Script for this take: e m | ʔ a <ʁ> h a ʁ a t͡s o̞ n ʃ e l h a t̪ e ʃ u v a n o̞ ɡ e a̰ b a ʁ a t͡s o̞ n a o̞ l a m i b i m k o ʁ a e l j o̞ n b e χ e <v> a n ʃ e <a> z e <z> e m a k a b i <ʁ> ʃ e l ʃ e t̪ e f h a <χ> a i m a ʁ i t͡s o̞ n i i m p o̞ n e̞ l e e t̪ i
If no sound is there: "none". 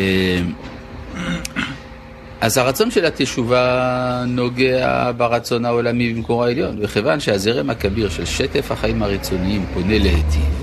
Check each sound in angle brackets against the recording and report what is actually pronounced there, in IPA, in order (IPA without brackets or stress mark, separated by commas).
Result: z, v, a, ʁ, ʁ, χ